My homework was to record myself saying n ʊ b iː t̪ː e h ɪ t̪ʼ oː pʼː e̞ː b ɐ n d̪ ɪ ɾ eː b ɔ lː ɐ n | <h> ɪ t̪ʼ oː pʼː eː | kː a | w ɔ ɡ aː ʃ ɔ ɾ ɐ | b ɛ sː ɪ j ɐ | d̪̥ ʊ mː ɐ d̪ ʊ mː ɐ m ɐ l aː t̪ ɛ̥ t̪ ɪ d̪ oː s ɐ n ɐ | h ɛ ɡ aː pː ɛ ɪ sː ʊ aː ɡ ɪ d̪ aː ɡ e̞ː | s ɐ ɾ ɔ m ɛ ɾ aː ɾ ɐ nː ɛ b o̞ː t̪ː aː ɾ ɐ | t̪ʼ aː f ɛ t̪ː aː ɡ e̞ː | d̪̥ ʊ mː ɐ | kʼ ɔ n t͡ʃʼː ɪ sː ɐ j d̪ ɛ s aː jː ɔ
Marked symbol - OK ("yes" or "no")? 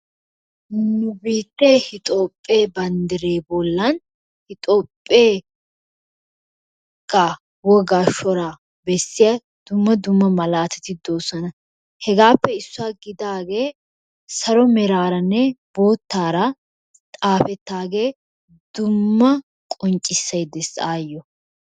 yes